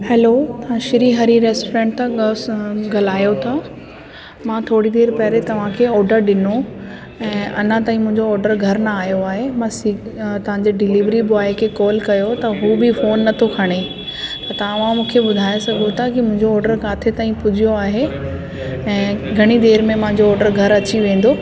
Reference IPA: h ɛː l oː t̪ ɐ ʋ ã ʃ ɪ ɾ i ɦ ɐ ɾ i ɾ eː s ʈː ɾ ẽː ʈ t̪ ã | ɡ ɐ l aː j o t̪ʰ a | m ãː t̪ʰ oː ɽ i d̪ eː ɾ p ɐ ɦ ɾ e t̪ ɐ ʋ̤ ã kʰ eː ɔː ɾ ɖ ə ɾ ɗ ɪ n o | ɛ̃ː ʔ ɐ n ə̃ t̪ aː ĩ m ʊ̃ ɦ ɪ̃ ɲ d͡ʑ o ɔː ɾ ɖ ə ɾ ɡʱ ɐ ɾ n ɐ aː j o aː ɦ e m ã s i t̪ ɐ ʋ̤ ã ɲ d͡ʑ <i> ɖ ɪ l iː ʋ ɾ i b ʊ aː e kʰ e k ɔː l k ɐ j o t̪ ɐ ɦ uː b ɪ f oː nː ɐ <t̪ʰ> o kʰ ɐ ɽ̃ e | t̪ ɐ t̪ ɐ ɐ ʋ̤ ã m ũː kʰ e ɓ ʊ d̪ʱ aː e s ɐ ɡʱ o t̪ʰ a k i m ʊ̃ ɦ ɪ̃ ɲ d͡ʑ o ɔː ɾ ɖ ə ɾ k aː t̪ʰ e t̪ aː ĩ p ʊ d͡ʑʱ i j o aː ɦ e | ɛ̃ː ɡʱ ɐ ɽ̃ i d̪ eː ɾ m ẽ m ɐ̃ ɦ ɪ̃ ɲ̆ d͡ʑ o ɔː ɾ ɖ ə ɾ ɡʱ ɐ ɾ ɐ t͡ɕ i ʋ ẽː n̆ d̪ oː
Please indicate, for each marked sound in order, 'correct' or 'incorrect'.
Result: incorrect, correct

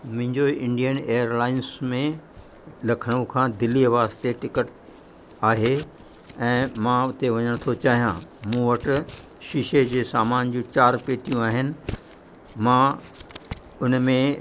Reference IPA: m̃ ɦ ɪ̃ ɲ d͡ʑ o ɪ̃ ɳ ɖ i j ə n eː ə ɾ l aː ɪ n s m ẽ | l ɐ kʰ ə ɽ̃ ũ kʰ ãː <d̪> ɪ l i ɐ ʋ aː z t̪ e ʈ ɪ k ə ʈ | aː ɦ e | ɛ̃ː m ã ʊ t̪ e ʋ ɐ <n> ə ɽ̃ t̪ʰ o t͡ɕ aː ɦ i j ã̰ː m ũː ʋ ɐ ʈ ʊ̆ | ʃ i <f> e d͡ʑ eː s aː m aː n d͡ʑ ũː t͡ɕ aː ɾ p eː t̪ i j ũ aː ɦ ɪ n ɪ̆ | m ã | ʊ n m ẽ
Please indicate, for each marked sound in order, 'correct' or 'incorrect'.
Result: correct, incorrect, incorrect

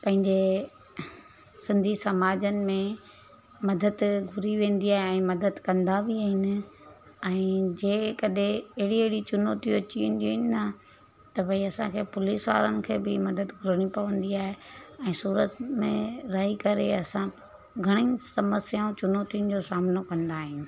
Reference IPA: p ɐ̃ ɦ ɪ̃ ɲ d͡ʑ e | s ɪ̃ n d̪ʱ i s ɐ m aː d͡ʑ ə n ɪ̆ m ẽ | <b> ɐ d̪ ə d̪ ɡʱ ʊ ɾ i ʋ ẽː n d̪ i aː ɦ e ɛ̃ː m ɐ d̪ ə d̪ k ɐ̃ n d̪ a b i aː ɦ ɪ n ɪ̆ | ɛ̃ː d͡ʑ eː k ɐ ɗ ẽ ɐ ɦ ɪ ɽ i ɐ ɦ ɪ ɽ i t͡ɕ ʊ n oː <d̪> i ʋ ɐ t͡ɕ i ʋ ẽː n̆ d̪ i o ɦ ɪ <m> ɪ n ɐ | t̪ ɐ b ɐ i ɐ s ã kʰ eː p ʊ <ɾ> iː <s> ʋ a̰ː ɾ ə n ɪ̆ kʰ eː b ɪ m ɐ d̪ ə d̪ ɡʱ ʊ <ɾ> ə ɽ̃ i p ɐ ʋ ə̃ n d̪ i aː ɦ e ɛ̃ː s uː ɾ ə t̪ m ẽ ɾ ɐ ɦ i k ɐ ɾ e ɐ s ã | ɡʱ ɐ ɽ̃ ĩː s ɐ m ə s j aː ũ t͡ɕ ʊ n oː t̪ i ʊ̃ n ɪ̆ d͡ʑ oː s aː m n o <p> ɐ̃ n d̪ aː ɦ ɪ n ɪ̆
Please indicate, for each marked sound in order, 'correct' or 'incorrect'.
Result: incorrect, incorrect, incorrect, incorrect, correct, correct, incorrect

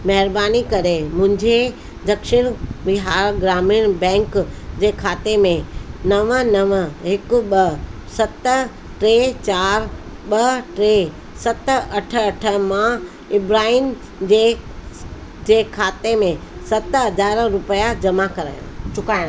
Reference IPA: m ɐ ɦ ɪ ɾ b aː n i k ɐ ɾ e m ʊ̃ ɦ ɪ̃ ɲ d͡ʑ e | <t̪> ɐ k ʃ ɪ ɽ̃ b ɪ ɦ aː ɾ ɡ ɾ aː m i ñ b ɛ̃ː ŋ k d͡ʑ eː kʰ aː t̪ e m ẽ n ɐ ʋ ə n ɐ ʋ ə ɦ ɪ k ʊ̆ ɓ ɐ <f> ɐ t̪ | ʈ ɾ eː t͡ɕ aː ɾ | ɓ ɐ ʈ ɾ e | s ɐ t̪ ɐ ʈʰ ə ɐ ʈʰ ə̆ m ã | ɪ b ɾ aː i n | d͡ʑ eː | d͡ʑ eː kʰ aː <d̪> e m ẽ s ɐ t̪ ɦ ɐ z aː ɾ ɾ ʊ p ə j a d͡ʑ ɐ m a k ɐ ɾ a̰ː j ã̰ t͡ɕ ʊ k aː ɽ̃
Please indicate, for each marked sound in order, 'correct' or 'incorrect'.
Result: incorrect, incorrect, incorrect

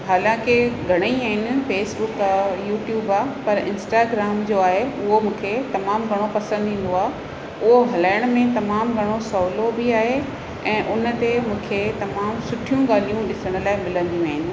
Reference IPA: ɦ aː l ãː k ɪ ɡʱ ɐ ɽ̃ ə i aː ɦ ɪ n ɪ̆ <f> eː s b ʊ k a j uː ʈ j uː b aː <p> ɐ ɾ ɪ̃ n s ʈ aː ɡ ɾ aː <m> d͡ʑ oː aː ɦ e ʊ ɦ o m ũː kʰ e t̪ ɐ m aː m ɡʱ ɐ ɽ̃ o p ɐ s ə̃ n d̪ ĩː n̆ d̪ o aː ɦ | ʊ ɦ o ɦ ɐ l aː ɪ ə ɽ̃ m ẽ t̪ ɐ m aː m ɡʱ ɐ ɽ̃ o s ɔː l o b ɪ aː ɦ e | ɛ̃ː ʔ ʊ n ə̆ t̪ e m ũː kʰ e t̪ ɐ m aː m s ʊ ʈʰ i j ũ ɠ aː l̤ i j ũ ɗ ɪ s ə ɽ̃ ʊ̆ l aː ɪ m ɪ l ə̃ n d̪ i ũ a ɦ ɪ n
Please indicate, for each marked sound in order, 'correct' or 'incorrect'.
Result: correct, correct, correct

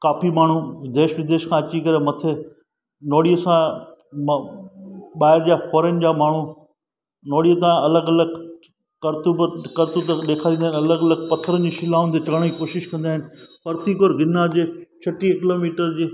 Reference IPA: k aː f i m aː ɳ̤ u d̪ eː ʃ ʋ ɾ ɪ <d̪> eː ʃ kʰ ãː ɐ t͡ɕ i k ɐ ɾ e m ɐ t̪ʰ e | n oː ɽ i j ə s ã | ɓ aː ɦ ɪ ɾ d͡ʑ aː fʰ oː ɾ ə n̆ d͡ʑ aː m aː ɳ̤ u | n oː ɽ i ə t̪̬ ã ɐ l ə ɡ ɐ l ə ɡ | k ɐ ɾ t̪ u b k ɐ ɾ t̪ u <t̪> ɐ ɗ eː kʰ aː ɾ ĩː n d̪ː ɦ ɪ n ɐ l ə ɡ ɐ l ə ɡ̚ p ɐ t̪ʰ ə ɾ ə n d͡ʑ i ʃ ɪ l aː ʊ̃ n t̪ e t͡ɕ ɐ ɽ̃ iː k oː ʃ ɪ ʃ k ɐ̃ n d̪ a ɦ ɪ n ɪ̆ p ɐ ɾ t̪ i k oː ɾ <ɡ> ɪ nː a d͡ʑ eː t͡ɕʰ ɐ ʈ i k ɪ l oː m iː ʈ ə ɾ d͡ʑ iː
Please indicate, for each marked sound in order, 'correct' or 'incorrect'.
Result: correct, correct, correct

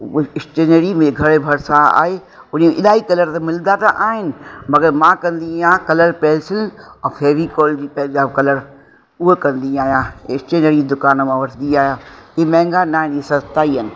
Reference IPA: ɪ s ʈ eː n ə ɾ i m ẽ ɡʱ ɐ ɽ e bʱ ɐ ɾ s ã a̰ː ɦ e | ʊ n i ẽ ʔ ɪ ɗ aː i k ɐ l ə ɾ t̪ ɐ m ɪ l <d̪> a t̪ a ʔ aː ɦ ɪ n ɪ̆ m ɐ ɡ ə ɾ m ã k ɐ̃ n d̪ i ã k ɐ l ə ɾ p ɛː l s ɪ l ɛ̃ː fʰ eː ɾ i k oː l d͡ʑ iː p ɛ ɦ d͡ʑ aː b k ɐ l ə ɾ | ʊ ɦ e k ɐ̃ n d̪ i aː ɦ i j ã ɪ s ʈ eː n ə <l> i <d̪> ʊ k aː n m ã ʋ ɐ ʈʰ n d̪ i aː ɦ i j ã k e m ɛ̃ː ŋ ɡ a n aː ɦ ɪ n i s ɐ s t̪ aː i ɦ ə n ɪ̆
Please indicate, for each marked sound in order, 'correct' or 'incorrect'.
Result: correct, incorrect, correct

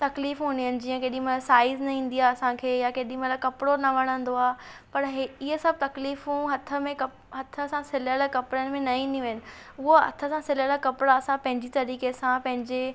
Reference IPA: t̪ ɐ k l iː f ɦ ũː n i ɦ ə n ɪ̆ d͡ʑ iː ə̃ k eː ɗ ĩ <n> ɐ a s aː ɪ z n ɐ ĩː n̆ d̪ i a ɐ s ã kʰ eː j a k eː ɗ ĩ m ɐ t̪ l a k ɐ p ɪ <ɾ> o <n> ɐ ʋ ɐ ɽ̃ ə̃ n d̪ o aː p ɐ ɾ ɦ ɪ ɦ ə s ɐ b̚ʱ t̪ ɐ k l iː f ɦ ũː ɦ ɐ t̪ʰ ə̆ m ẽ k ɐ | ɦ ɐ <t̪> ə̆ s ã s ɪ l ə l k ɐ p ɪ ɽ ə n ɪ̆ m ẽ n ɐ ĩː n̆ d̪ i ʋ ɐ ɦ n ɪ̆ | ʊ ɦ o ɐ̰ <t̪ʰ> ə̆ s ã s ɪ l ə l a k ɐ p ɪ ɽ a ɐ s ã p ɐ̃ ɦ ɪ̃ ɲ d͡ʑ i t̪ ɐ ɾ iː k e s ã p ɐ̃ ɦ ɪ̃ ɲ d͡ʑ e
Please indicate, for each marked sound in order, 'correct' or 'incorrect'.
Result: incorrect, incorrect, correct, incorrect, correct

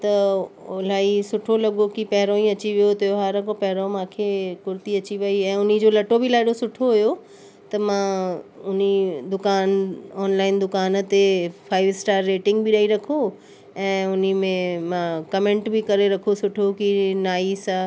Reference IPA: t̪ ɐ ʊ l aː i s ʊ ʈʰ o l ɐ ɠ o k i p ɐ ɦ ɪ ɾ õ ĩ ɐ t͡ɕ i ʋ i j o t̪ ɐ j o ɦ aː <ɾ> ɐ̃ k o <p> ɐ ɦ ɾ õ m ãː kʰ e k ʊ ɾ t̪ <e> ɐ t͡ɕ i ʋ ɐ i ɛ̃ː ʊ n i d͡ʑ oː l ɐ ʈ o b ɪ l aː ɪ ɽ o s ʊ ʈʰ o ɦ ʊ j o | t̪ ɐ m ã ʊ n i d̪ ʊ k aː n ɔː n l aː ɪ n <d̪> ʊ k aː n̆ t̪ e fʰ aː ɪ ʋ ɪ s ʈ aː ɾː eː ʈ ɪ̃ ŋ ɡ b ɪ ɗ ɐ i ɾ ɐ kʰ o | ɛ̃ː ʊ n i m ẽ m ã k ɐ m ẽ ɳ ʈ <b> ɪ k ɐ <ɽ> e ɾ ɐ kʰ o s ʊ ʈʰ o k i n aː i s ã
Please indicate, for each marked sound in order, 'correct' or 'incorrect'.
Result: correct, correct, incorrect, correct, correct, incorrect

